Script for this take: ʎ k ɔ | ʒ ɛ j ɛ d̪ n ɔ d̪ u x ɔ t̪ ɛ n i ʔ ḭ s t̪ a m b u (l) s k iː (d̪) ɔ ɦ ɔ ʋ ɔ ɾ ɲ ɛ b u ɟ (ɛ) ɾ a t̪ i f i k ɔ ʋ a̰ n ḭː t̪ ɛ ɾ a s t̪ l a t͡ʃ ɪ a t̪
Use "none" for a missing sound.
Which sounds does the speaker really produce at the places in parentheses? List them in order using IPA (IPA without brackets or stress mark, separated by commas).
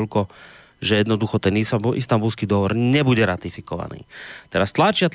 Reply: l, d̪, ɛ